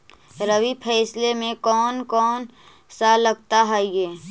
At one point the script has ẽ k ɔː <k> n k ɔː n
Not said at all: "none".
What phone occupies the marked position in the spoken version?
none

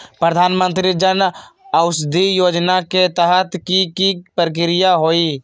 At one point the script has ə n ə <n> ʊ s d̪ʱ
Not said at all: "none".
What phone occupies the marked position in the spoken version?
none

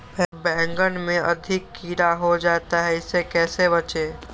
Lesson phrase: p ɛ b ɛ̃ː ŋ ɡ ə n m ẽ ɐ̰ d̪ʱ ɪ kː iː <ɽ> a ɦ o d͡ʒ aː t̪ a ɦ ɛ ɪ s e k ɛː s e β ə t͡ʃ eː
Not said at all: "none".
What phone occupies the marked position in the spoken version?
ɾ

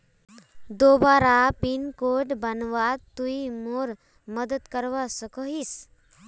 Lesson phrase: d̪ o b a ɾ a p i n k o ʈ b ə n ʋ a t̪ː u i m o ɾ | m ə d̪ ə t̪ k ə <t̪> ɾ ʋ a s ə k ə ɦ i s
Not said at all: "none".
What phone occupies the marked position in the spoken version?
none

